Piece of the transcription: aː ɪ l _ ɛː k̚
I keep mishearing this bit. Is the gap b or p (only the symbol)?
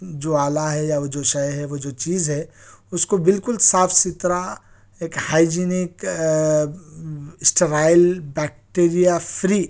b